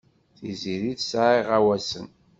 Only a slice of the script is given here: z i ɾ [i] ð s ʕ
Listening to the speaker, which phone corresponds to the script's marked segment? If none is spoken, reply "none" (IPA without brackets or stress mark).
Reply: i